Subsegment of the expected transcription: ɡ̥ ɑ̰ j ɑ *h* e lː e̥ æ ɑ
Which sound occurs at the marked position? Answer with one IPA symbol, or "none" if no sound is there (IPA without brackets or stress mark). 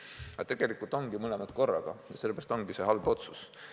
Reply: s